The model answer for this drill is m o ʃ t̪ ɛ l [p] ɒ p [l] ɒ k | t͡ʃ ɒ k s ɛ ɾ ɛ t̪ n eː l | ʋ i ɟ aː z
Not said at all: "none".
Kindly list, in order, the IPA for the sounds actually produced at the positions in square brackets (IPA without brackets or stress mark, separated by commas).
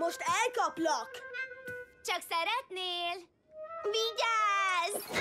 k, l